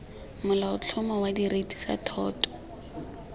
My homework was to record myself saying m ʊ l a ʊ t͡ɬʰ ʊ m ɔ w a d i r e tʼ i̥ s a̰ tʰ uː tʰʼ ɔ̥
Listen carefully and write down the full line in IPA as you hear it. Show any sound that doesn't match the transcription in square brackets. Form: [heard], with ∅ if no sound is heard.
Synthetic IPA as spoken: m ʊ l a ʊ t͡ɬʰ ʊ m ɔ w a d i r e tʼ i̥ s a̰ tʰ [ɔː] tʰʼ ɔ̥